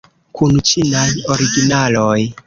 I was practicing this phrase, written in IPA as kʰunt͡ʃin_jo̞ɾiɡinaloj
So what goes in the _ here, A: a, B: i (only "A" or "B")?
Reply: A